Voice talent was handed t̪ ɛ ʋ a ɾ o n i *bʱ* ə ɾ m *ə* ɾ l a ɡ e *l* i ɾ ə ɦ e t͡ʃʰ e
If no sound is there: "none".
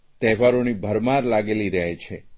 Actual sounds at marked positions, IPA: bʱ, a, l

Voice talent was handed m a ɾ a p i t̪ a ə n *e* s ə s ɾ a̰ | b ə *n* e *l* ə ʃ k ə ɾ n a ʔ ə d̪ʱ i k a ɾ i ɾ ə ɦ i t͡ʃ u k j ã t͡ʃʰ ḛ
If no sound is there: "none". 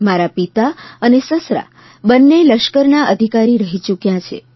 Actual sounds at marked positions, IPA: e, nː, l

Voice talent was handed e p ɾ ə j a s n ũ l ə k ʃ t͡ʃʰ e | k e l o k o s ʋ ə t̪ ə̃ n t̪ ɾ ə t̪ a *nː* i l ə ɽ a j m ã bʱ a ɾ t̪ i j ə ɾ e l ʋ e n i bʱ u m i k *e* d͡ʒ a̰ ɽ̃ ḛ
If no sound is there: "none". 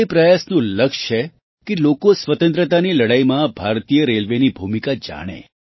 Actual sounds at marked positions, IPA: n, a

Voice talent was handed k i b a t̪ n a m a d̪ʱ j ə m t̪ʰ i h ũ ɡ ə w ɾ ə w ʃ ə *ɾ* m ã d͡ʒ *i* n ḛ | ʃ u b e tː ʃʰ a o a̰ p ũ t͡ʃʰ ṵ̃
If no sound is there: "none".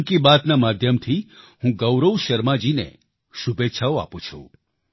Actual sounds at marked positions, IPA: ɾ, i

